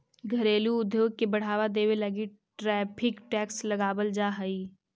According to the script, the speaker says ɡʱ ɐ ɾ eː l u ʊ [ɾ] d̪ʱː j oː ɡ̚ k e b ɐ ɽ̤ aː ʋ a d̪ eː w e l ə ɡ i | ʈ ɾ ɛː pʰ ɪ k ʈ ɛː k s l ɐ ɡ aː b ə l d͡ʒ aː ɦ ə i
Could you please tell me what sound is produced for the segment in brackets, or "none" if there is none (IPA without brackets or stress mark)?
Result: none